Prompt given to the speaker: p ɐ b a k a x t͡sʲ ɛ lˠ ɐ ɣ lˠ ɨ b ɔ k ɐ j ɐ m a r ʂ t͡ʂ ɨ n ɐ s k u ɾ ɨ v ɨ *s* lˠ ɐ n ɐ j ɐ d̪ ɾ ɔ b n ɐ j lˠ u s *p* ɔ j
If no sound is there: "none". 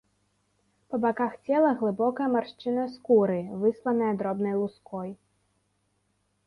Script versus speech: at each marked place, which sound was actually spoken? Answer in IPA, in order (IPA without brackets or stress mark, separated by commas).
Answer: s, k